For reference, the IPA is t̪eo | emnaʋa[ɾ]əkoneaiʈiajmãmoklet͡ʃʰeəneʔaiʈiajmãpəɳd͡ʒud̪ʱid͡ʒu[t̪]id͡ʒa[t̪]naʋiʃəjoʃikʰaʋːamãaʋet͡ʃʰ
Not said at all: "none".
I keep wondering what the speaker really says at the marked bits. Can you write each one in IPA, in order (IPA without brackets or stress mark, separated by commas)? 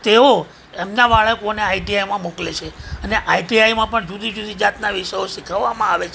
ɭ, d̪, t̪